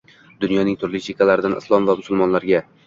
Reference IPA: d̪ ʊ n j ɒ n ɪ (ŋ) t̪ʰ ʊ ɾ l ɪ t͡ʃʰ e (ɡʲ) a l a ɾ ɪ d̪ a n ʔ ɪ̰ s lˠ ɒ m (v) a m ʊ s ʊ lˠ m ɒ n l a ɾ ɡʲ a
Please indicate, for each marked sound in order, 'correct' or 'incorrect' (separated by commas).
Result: correct, incorrect, correct